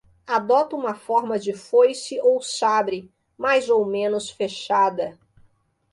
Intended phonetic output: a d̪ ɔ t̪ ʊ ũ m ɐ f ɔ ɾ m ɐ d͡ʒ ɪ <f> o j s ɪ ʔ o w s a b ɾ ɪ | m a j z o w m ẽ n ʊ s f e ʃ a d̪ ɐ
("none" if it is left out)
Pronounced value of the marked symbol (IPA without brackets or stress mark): f